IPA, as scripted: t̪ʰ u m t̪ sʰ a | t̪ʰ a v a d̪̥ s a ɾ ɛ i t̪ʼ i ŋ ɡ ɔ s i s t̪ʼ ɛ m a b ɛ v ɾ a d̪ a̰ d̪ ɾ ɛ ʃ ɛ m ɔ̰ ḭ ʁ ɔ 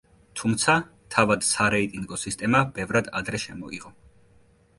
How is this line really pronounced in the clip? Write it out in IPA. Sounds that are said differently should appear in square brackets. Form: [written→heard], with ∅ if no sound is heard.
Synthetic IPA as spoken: t̪ʰ u m t̪ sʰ a | t̪ʰ a v a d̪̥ s a ɾ ɛ i t̪ʼ i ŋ ɡ ɔ s i s t̪ʼ ɛ m a b ɛ v ɾ a d̪ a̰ d̪ ɾ ɛ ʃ ɛ m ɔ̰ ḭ ʁ ɔ